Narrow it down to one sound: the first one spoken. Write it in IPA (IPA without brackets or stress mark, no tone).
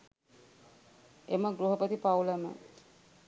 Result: e